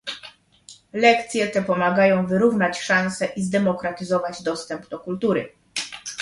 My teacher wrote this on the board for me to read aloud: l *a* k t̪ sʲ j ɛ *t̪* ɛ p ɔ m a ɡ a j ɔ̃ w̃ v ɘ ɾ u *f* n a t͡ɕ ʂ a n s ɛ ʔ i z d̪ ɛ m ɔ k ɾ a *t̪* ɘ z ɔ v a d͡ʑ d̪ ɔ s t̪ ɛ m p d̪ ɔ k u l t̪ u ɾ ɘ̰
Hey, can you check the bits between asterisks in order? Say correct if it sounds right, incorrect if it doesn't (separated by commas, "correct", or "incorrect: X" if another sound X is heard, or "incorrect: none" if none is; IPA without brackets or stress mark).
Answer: incorrect: ɛ, correct, incorrect: v, correct